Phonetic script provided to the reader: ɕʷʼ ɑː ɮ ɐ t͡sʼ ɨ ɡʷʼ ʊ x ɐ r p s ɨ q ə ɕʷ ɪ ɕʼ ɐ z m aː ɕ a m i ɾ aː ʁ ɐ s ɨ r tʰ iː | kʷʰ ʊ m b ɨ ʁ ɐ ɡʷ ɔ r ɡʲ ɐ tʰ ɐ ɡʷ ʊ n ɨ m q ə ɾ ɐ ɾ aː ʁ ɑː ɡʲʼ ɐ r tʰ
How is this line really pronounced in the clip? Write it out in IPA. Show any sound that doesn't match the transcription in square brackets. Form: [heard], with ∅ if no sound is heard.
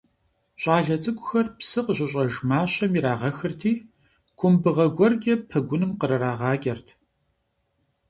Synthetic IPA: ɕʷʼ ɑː ɮ ɐ t͡sʼ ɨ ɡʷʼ ʊ x ɐ r p s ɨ q ə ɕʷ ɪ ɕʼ ɐ [ʒ] m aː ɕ [ɐ] m i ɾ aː ʁ ɐ [x] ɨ r tʰ iː | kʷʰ ʊ m b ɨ ʁ ɐ ɡʷ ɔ r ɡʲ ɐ [pʰ] ɐ ɡʷ ʊ n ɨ m q ə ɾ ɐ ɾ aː ʁ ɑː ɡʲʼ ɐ r tʰ